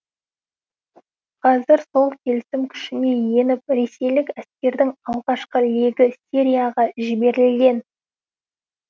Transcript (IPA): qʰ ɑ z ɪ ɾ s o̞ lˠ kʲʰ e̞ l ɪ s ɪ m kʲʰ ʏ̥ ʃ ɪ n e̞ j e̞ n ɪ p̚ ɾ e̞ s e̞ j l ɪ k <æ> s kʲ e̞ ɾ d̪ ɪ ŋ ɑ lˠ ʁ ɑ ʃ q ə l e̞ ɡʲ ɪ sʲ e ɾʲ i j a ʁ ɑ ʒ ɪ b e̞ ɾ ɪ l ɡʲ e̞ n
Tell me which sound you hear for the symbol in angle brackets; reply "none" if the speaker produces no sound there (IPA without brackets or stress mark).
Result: æ